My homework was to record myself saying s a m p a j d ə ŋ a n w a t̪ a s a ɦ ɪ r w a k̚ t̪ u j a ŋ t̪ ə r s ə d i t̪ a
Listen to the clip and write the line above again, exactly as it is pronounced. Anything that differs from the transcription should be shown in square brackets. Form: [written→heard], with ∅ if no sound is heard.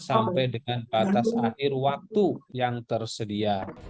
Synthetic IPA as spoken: s a m p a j d ə ŋ a n [w→b] a t̪ a s a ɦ ɪ r w a k̚ t̪ u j a ŋ t̪ ə r s ə d i [t̪→∅] a

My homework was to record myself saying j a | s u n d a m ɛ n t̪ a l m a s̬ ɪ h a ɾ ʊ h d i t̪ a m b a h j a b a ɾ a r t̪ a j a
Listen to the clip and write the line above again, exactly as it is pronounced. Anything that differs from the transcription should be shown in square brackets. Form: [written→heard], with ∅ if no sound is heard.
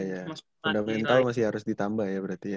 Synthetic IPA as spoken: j a | [s→f] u n d a m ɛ n t̪ a l m a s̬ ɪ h a ɾ ʊ [h→s] d i t̪ a m b a h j a b [a→ə] ɾ a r t̪ [a→i] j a

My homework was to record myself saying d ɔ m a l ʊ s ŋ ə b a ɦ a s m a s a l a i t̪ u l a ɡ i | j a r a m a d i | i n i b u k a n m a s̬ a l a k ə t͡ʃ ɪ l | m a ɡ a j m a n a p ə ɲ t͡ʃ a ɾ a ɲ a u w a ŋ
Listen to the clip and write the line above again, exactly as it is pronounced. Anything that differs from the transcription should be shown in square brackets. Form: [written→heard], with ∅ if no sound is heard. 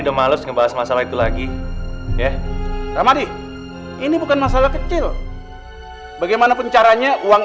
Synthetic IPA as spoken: d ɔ m a l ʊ s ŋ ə b a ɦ a s m a s a l a i t̪ u l a ɡ i | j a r a m a d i | i n i b u k a n m a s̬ a l a k ə t͡ʃ ɪ l | [m→b] a ɡ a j m a n a p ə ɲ t͡ʃ a ɾ a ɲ a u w a ŋ

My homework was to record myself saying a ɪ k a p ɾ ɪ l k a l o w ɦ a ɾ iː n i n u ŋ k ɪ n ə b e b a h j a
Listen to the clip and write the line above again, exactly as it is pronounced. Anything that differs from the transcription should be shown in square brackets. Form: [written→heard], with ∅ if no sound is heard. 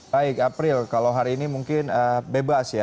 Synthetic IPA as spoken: a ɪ k a p ɾ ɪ l k a l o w ɦ a ɾ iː n i [n→m] u ŋ k ɪ n ə b e b a [h→s] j a

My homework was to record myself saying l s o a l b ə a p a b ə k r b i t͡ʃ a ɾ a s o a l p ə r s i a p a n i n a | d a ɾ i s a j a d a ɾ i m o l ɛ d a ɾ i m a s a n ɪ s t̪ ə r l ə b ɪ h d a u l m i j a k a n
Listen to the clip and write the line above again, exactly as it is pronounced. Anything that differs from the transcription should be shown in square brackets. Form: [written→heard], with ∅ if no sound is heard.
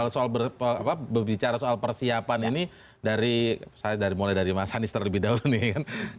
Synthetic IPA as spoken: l s o a l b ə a p a b ə [k→∅] r b i t͡ʃ a ɾ a s o a l p ə r s i a p a n i n [a→i] | d a ɾ i s a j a d a ɾ i m o l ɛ d a ɾ i m a s a n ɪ s t̪ ə r l ə b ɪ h d a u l [m→n] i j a k a n

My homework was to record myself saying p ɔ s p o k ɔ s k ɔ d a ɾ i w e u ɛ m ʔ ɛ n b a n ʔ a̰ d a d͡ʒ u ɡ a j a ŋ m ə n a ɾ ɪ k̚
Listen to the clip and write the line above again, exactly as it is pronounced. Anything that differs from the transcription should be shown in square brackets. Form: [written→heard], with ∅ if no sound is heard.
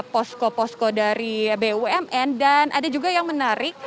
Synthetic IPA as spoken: p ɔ s [p→k] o [k→p] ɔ s k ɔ d a ɾ i [w→b] e u ɛ m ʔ ɛ n [b→d] a n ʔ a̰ d a d͡ʒ u ɡ a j a ŋ m ə n a ɾ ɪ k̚

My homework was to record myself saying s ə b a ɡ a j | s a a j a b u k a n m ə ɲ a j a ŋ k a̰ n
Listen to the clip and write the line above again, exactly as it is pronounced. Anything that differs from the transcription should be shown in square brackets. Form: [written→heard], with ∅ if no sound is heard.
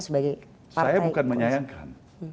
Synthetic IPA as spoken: s ə b a ɡ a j | s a a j a b u k a n m ə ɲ a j a ŋ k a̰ n

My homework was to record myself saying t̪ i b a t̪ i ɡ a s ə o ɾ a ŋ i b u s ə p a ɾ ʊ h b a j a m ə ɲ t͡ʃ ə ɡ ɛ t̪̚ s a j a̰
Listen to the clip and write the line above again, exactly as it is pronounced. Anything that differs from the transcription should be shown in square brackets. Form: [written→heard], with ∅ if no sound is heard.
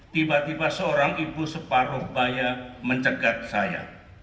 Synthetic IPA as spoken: t̪ i b a t̪ i [ɡ→b] a s ə o ɾ a ŋ i b u s ə p a ɾ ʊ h b a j a m ə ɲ t͡ʃ ə ɡ [ɛ→a] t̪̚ s a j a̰

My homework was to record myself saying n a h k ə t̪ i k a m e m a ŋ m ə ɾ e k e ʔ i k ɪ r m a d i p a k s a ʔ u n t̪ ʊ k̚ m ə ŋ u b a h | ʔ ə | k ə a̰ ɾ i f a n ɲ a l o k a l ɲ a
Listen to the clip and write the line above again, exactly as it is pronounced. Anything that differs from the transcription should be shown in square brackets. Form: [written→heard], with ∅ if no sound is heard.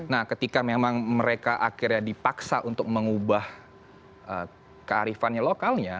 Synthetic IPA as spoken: n a h k ə t̪ i k a m e m a ŋ m ə ɾ e k [e→a] ʔ [i→a] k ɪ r [m→ɲ] a d i p a k s a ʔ u n t̪ ʊ k̚ m ə ŋ u b a h | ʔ ə | k ə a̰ ɾ i f a n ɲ a l o k a l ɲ a

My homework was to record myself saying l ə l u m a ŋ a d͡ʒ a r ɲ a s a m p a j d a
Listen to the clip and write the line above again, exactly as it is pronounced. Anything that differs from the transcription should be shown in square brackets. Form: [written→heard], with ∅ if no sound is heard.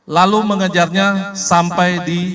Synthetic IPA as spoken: l [ə→a] l u m [a→ə] ŋ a d͡ʒ a r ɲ a s a m p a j d [a→i]

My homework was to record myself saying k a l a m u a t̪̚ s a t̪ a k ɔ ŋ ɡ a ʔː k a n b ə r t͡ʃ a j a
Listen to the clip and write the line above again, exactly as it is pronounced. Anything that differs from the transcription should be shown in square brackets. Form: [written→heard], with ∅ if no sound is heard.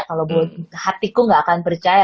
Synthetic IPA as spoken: k a l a [m→b] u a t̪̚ [s→h] a t̪ [a→i] k [ɔ→u] ŋ ɡ a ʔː k a n [b→p] ə r t͡ʃ a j a

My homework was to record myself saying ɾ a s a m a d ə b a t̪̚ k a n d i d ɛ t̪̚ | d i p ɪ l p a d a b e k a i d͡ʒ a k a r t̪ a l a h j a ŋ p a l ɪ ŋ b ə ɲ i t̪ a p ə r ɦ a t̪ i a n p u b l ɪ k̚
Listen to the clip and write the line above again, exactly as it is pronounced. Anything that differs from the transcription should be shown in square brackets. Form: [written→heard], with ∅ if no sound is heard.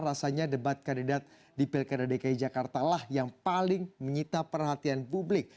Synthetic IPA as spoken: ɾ a s a [m→ɲ] a d ə b a t̪̚ k a n d i d [ɛ→a] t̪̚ | d i p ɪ l [p→k] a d a [b→d] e k a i d͡ʒ a k a r t̪ a l a h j a ŋ p a l ɪ ŋ [b→m] ə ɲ i t̪ a p ə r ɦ a t̪ i a n p u b l ɪ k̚

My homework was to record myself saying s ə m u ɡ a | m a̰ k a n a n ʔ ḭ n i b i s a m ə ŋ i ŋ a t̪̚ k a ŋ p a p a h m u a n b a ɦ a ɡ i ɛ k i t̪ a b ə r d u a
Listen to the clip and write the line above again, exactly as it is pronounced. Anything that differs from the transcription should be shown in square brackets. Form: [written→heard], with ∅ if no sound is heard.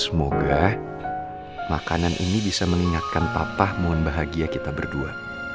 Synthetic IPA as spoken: s ə m [u→o] ɡ a | m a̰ k a n a n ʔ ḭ n i b i s a m ə ŋ i ŋ a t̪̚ k a [ŋ→n] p a p a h m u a n b a ɦ a ɡ i [ɛ→a] k i t̪ a b ə r d u a

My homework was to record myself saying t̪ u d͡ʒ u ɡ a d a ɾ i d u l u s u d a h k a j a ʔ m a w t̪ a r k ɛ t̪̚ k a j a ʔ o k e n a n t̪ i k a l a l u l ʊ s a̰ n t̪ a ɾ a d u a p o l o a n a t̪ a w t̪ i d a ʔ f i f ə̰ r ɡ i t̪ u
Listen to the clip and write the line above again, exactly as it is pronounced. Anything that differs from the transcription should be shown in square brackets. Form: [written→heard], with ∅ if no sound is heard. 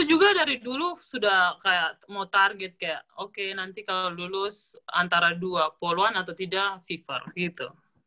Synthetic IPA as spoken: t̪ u d͡ʒ u ɡ a d a ɾ i d u l u s u d a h k a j a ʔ m a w t̪ a r [k→ɡ] ɛ t̪̚ k a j a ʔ o k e n a n t̪ i k a l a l u l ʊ s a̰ n t̪ a ɾ a d u a p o l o a n a t̪ a w t̪ i d a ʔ f i f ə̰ r ɡ i t̪ u

